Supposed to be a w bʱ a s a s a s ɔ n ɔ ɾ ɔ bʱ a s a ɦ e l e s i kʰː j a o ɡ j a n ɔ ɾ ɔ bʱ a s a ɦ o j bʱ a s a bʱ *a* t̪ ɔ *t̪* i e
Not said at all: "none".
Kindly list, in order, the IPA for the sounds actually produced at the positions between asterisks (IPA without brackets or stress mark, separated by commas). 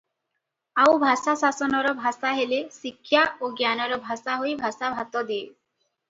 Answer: a, d̪